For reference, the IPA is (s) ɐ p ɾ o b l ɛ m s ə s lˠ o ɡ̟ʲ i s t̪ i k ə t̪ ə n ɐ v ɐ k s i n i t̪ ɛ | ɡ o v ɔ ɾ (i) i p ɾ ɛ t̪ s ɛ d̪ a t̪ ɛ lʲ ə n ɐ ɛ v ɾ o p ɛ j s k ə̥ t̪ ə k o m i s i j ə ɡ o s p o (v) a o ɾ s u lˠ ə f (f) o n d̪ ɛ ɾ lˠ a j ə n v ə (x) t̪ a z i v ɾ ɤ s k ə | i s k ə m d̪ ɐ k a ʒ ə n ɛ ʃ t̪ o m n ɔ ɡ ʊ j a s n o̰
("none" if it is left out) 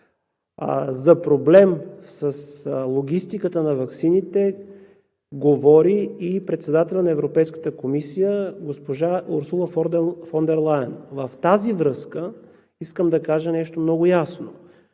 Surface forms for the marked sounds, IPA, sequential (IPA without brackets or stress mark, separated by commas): z, i, ʒ, f, f